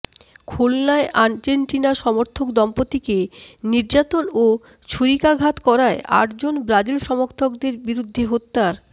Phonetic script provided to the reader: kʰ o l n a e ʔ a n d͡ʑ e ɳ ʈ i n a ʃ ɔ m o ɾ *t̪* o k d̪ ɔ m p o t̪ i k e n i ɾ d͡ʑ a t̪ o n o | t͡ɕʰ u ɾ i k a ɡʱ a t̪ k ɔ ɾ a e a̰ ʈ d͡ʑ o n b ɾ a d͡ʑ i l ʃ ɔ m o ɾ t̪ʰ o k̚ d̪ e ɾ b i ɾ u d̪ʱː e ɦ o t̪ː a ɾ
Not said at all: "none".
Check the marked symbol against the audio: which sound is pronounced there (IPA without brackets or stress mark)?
t̪ʰ